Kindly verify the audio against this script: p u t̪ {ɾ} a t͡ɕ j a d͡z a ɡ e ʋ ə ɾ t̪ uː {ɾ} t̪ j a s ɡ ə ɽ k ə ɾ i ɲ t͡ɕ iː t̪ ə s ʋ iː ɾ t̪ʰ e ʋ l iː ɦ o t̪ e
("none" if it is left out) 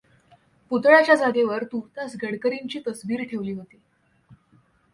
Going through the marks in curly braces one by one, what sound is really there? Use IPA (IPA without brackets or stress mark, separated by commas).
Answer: ɭ, none